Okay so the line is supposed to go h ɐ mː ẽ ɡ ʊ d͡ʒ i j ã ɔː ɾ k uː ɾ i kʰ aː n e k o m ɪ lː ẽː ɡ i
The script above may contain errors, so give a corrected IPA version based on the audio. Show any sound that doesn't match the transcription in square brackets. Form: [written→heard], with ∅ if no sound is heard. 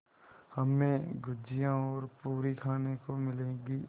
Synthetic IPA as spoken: h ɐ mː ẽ ɡ ʊ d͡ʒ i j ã ɔː ɾ [k→p] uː ɾ i kʰ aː n e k o m ɪ [lː→l] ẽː ɡ i